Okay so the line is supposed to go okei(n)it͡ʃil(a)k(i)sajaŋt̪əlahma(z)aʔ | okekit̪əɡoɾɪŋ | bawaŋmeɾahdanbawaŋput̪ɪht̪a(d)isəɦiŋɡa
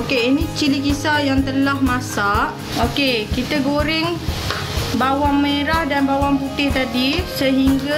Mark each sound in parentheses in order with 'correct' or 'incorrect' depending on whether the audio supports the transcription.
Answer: correct, incorrect: i, correct, incorrect: s, correct

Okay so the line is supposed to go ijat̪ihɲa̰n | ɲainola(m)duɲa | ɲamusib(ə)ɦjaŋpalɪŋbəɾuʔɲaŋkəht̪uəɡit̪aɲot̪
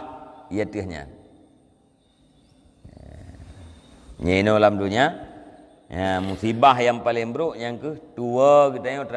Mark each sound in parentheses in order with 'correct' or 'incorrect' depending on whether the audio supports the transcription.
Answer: correct, incorrect: a

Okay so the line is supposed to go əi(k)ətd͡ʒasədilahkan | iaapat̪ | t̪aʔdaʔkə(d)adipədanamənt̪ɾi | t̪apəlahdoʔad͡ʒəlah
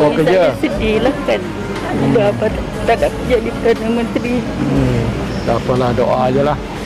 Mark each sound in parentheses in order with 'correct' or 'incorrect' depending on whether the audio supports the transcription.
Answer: correct, incorrect: d͡ʒ

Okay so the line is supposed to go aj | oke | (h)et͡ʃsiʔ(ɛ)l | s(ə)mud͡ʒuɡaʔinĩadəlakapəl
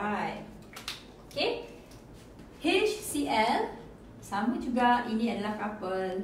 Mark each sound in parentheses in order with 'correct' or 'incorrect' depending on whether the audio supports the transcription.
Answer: correct, correct, incorrect: a

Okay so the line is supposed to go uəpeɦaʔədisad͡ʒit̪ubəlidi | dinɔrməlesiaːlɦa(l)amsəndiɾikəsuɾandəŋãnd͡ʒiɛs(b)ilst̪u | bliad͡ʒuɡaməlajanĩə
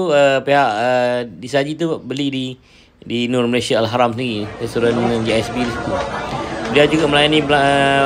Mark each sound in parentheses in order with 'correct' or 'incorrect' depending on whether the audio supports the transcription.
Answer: incorrect: ɾ, correct

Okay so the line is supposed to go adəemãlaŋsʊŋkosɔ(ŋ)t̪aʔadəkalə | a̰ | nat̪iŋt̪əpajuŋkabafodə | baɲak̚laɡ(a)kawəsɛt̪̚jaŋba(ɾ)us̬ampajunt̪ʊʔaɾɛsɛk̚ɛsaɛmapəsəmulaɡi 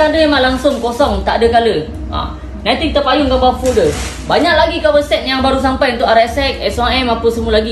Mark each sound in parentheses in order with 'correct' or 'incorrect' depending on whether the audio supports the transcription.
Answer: correct, incorrect: i, correct

